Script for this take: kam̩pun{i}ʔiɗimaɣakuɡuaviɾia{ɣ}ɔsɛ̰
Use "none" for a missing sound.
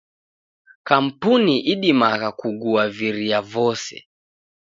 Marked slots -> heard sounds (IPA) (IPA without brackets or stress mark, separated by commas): i, v